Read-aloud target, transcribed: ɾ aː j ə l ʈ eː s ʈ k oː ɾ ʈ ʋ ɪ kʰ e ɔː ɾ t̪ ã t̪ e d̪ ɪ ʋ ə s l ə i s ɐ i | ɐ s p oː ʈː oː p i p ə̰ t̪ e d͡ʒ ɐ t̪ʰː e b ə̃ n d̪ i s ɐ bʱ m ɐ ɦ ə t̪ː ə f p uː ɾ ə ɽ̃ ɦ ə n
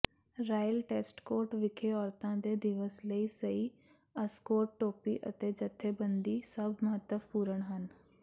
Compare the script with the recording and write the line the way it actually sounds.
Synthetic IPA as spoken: ɾ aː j ə l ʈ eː s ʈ k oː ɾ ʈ ʋ ɪ kʰ e ɔː ɾ t̪ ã d̪ e d̪ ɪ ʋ ə s l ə i s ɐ i | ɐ s k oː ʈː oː p i ʔ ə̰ t̪ e d͡ʒ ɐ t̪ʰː e b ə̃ n d̪ i s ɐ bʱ m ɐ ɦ ə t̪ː ə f p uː ɾ ə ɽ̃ ɦ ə n

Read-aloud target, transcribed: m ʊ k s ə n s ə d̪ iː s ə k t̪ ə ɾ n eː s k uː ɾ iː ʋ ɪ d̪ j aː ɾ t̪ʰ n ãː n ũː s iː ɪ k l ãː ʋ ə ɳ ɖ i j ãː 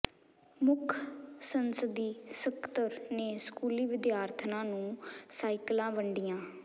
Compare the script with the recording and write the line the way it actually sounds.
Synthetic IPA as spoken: m ʊ kʰ s ə n s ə d̪ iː s ə k t̪ ə ɾ n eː s k uː l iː ʋ ɪ d̪ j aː ɾ t̪ʰ n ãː n ũː s aː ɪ k l ãː ʋ ə ɳ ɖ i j ãː

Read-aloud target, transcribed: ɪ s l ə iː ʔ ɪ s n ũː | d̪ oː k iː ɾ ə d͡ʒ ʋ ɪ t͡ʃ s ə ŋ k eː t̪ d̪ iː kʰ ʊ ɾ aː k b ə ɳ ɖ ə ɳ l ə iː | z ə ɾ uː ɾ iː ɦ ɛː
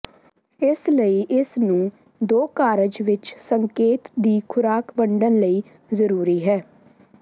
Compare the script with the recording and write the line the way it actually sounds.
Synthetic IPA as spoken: ɪ s l ə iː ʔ ɪ s n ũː | d̪ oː k aː ɾ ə d͡ʒ ʋ ɪ t͡ʃ s ə ŋ k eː t̪ d̪ iː kʰ ʊ ɾ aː k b ə ɳ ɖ ə n l ə iː | z ə ɾ uː ɾ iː ɦ ɛː

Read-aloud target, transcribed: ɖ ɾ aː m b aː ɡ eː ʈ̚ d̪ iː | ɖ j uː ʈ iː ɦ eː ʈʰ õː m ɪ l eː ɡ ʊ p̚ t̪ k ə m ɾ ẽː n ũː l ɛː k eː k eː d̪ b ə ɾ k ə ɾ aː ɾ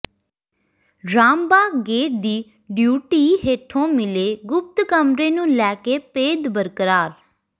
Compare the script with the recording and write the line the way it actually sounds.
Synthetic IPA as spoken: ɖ ɾ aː m b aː ɡ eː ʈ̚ d̪ iː | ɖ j uː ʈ iː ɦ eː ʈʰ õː m ɪ l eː ɡ ʊ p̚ t̪ k ə m ɾ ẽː n ũː l ɛː k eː p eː d̪ b ə ɾ k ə ɾ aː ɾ

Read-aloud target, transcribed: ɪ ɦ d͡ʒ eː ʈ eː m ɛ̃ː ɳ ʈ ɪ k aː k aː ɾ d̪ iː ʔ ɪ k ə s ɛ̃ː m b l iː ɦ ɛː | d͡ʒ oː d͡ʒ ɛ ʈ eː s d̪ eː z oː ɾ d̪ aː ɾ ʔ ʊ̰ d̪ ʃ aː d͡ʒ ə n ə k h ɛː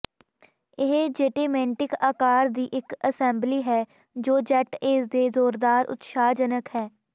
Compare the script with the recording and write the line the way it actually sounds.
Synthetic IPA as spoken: ɪ ɦ d͡ʒ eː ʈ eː m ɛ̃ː ɳ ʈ ɪ k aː k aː ɾ d̪ iː ʔ ɪ k ə s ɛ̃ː m b l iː ɦ ɛː | d͡ʒ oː d͡ʒ ɛ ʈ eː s d̪ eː z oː ɾ d̪ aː ɾ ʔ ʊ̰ t̪ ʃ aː d͡ʒ ə n ə k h ɛː

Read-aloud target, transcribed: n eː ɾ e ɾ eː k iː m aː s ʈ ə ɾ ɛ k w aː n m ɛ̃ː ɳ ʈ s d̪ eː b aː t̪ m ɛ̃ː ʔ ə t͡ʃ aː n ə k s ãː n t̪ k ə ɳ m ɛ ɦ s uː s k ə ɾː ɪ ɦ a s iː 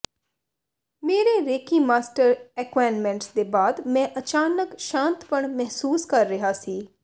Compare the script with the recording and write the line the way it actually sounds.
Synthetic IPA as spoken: m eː ɾ e ɾ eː k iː m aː s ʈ ə ɾ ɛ k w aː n m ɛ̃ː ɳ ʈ s d̪ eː b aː d̪ m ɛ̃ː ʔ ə t͡ʃ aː n ə k ʃ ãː n t̪ p ə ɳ m ɛ ɦ s uː s k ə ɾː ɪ ɦ a s iː

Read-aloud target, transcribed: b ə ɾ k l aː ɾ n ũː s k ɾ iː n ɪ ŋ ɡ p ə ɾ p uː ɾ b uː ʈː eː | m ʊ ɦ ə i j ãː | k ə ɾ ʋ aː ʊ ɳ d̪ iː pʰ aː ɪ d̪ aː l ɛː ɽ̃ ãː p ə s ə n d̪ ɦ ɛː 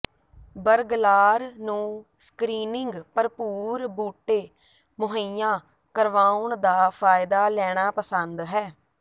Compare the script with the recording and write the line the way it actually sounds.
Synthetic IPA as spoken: b ə ɾ ɡ l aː ɾ n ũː s k ɾ iː n ɪ ŋ ɡ p ə ɾ p uː ɾ b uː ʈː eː | m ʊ ɦ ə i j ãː | k ə ɾ ʋ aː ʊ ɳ d̪ aː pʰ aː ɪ d̪ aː l ɛː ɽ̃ aː p ə s ə n d̪ ɦ ɛː

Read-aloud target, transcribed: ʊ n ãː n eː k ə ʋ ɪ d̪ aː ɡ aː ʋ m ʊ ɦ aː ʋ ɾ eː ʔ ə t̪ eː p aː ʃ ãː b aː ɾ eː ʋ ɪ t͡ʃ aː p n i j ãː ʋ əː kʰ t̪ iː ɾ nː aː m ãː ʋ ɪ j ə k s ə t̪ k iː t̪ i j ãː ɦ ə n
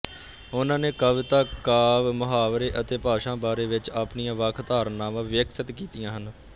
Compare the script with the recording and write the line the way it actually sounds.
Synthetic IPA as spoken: ʊ n ãː n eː k ə ʋ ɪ t̪ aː k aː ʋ m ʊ ɦ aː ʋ ɾ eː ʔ ə t̪ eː p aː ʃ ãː b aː ɾ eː ʋ ɪ t͡ʃ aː p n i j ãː ʋ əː kʰ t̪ aː ɾ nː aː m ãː ʋ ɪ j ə k s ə t̪ k iː t̪ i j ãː ɦ ə n

